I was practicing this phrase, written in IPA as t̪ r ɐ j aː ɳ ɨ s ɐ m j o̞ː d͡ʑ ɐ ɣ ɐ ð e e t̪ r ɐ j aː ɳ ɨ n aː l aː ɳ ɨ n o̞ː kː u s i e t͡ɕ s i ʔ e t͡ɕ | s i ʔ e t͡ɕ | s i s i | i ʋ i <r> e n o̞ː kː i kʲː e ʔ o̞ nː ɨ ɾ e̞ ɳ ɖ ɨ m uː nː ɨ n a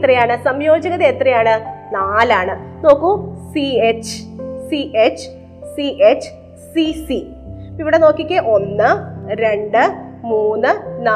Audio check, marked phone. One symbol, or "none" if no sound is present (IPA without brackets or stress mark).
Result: ɽ